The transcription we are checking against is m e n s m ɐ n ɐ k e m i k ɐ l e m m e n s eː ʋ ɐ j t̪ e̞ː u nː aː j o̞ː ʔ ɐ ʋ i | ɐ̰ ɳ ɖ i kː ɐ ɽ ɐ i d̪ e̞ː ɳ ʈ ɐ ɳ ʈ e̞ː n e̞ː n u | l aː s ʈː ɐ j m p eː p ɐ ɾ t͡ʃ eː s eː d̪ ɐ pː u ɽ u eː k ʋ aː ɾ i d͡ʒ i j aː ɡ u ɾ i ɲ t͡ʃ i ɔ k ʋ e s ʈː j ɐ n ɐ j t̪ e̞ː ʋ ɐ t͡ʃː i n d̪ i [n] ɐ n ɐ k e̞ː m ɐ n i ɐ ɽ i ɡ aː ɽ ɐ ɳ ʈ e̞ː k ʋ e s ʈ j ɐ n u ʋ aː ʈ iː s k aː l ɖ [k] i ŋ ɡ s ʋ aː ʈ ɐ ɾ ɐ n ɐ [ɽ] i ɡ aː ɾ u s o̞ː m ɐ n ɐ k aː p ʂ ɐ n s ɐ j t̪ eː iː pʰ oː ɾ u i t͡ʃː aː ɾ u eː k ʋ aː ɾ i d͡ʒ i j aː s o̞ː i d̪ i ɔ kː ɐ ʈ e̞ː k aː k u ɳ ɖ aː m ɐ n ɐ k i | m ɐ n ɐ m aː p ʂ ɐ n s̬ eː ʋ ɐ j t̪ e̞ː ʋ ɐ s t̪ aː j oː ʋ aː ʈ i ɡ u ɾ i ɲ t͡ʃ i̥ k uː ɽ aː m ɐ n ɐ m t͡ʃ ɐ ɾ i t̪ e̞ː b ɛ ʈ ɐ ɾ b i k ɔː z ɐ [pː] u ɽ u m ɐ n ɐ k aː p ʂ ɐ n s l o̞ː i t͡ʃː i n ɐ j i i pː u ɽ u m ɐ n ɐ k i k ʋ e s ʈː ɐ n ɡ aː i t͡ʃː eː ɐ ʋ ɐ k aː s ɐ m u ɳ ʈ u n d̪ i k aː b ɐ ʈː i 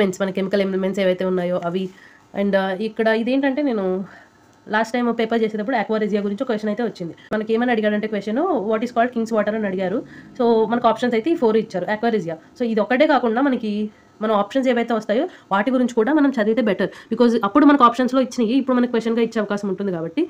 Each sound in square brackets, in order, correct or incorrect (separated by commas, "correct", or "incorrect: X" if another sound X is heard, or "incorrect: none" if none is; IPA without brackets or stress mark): incorrect: m, correct, correct, correct